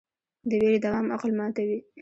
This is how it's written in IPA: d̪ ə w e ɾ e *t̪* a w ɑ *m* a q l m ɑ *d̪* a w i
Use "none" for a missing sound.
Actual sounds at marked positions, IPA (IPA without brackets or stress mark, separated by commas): d̪, m, t̪